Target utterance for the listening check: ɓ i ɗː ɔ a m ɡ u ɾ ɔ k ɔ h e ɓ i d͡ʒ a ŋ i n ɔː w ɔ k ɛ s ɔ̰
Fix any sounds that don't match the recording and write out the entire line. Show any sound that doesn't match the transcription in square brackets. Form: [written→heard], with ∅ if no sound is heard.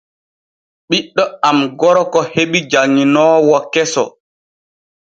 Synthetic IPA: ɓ i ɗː ɔ a m ɡ [u→ɔ] ɾ ɔ k ɔ h e ɓ i d͡ʒ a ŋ i n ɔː w ɔ k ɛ s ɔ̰